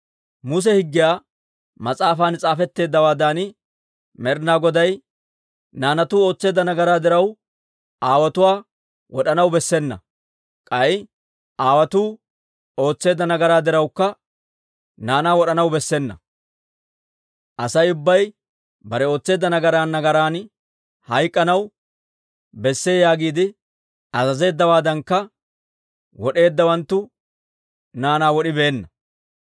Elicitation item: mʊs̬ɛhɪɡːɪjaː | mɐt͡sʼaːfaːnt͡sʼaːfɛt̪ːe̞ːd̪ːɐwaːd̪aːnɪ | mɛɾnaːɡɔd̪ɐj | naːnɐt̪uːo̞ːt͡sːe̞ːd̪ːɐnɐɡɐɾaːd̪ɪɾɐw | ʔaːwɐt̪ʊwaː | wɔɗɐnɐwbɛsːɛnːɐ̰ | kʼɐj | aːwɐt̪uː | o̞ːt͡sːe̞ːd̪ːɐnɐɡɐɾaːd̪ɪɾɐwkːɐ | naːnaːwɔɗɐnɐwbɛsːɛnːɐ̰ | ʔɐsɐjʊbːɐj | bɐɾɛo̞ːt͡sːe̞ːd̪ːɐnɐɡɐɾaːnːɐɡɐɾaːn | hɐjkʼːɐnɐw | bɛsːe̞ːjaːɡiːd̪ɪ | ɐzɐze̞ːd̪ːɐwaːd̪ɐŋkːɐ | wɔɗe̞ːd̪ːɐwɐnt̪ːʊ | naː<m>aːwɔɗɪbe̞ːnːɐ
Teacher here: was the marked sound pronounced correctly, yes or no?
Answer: no